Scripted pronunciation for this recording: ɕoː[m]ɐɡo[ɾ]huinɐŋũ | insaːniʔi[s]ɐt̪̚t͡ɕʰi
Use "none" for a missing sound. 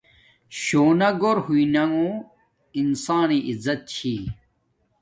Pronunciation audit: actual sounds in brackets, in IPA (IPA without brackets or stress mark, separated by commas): n, ɾ, z